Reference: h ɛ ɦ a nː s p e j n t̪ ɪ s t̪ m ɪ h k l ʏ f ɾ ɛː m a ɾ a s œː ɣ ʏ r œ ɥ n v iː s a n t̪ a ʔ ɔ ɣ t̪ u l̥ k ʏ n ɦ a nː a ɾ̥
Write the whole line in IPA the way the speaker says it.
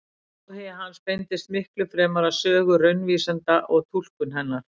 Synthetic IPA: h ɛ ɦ a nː s p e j n t̪ ɪ s t̪ m ɪ h k l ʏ f ɾ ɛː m a ɾ a s œː ɣ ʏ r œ ɥ n v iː s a n t̪ a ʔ ɔ ɣ t̪ʰ u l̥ k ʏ n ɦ ɛ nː a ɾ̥